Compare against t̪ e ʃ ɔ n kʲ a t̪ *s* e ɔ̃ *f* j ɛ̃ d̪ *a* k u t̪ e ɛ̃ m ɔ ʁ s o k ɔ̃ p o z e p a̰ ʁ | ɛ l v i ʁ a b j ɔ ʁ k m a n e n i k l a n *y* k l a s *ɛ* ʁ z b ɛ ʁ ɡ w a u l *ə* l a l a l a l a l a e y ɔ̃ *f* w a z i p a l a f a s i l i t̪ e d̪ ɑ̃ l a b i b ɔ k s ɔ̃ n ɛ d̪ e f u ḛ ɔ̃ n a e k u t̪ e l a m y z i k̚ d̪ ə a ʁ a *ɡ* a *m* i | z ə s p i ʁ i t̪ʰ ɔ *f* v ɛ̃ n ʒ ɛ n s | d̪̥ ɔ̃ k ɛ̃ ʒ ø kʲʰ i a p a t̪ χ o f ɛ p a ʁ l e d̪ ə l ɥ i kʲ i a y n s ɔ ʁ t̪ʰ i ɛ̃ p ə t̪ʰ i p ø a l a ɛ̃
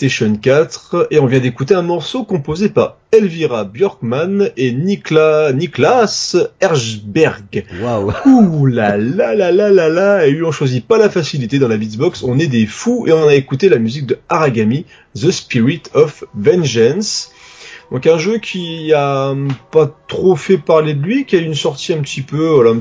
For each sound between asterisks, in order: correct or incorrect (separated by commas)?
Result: incorrect, incorrect, incorrect, incorrect, correct, incorrect, incorrect, correct, correct, correct